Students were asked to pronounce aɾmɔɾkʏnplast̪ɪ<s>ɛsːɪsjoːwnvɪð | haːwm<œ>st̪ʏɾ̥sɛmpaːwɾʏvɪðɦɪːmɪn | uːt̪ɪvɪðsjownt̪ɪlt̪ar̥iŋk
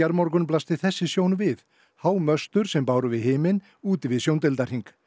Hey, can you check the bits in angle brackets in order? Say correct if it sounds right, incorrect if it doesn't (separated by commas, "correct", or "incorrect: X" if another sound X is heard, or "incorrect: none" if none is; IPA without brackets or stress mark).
incorrect: θ, correct